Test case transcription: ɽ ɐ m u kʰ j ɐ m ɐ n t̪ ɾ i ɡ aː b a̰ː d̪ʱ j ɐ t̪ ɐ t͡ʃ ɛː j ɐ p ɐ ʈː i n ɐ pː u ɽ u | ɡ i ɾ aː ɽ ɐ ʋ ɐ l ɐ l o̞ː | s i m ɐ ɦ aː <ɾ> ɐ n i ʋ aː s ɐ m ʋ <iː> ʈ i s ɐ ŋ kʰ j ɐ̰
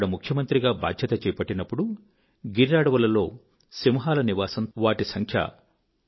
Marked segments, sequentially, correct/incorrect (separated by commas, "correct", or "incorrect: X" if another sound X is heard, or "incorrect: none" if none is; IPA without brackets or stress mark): incorrect: l, incorrect: aː